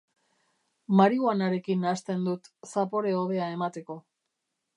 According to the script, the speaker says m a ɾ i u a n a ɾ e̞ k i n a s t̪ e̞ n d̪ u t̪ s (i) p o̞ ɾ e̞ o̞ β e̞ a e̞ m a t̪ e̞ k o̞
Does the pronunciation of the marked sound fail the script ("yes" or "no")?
yes